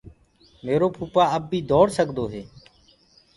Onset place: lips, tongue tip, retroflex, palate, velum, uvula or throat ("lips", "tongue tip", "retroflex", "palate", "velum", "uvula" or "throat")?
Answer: lips